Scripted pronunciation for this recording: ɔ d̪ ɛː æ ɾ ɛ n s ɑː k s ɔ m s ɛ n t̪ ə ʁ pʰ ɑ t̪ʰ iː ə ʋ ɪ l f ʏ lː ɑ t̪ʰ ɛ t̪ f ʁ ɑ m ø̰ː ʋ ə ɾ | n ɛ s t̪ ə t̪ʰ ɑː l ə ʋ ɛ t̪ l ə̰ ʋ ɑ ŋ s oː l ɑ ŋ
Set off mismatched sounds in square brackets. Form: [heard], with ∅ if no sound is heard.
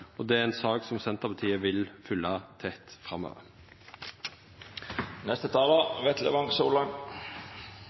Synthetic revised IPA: ɔ d̪ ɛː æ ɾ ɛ n s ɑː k s ɔ m s ɛ n t̪ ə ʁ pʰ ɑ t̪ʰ iː ə ʋ ɪ l f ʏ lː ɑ t̪ʰ ɛ t̪ f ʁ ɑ m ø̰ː ʋ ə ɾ | n ɛ s t̪ ə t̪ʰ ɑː l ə ʋ ɛ t̪ l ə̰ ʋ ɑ ŋ s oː l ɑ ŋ